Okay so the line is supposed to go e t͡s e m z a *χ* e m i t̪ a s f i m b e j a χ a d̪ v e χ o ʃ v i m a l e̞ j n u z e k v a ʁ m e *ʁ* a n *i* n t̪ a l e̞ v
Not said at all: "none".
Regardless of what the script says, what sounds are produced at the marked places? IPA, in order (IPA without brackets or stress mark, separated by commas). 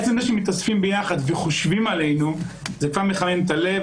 ʃ, χ, e